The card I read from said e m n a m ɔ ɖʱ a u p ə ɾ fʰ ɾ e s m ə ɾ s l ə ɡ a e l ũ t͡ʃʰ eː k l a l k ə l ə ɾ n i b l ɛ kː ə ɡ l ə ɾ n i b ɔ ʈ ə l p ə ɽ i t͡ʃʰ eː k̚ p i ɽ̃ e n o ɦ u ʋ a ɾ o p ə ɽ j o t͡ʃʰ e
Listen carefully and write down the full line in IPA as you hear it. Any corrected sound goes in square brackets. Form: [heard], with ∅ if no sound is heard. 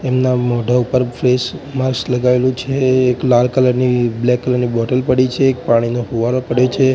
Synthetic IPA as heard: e m n a m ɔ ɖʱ a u p ə ɾ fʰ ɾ e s m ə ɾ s l ə ɡ a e l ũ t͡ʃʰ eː k l a l k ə l ə ɾ n i b l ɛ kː ə [∅] l ə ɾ n i b ɔ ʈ ə l p ə ɽ i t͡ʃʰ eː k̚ p [a] ɽ̃ [i] n o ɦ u ʋ a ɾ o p ə ɽ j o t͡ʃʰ e

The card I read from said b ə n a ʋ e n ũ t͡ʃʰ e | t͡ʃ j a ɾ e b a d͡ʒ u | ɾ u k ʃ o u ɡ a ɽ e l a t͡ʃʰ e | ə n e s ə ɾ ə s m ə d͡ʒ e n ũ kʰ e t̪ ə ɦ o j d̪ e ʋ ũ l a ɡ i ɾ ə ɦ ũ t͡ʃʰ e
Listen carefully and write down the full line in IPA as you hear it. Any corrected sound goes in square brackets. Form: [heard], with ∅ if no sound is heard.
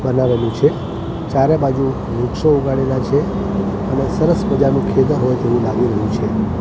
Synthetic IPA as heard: b ə n a ʋ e n ũ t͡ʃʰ e | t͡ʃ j a ɾ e b a d͡ʒ u | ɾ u k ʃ o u ɡ a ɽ e l a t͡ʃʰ e | ə n e s ə ɾ ə s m ə d͡ʒ [a] n ũ kʰ e [d̪] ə ɦ o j [t̪] e ʋ ũ l a ɡ i ɾ ə ɦ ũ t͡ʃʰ e

